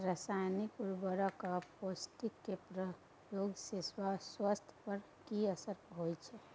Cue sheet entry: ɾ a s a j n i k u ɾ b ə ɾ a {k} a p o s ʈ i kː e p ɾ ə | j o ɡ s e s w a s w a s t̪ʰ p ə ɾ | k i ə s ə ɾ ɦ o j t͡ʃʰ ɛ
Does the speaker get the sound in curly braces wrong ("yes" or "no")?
no